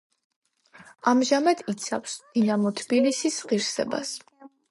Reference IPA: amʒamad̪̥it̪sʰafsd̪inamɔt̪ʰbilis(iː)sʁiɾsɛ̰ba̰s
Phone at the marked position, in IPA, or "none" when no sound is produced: i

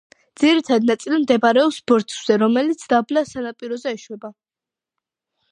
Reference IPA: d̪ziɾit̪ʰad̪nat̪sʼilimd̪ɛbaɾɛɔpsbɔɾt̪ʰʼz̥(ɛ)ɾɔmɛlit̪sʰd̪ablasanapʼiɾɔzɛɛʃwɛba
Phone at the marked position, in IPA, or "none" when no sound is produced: ɛ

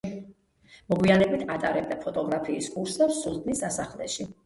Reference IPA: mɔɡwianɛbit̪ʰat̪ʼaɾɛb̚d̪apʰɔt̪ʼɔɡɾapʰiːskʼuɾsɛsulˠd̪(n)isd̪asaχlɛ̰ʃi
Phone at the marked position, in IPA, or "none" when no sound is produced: n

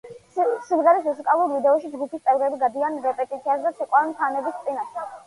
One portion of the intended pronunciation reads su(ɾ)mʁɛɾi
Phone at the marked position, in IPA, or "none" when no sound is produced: none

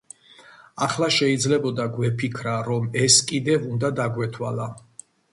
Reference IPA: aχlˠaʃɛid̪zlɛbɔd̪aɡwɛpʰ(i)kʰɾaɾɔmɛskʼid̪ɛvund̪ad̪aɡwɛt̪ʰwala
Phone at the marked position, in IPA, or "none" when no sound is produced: i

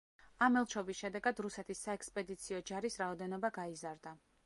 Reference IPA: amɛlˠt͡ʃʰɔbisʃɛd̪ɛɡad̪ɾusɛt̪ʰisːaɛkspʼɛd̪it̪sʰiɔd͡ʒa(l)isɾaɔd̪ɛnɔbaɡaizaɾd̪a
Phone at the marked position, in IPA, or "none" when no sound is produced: ɾ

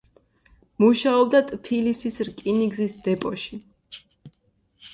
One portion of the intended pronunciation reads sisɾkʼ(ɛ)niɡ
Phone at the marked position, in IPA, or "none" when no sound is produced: i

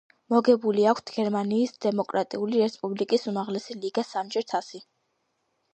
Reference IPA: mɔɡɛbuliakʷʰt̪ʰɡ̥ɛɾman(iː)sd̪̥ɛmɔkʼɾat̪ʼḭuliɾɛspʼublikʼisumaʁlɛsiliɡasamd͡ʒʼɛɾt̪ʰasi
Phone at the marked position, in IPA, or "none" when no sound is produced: iː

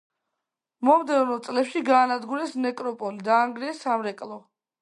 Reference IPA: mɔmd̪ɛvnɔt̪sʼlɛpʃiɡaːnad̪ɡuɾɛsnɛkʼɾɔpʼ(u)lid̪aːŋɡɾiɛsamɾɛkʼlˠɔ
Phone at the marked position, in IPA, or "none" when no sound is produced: ɔ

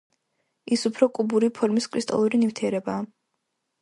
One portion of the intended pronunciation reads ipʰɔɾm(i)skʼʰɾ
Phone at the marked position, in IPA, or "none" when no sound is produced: i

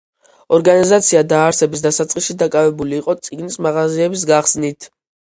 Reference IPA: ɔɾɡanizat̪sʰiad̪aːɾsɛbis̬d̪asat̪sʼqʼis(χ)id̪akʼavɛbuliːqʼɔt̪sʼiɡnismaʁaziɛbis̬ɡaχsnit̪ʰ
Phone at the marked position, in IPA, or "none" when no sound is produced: ʃ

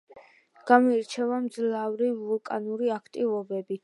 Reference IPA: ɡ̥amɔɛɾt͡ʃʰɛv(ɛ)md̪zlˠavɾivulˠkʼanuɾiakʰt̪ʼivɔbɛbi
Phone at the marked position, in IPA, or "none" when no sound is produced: a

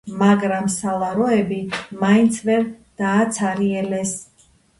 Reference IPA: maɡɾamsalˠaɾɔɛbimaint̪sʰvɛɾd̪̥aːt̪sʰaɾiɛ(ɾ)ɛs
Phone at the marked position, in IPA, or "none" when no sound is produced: l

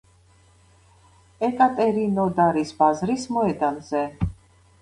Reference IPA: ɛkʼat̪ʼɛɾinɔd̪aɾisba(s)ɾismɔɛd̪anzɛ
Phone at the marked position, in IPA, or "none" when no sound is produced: z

